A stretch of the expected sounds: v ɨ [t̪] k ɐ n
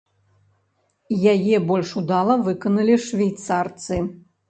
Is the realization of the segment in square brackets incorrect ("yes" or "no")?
yes